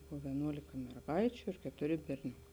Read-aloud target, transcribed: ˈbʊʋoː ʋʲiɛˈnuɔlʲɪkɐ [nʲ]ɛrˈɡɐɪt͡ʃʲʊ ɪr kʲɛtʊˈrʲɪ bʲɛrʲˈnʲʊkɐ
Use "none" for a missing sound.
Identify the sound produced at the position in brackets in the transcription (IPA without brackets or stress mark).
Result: mʲ